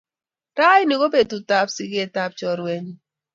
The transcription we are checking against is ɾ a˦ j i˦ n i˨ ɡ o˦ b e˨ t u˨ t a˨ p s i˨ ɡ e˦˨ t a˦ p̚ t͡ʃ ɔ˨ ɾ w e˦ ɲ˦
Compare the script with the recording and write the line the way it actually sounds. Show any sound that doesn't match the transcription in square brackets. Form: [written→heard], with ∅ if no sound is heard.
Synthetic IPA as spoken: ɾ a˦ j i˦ n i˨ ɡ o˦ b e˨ t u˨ t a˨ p s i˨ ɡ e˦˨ t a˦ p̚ t͡ʃ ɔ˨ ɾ w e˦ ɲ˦